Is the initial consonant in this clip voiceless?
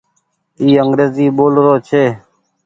no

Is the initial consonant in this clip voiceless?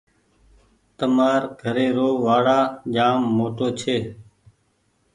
yes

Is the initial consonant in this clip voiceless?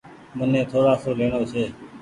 no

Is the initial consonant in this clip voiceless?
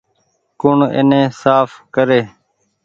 yes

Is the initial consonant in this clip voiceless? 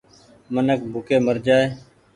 no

